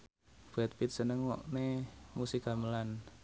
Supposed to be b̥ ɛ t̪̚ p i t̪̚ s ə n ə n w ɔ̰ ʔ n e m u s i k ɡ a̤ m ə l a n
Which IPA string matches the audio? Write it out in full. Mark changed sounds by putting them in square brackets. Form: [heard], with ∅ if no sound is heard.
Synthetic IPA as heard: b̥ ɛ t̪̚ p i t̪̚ s ə n ə [ŋ] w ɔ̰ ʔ n e m u s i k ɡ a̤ m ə l a n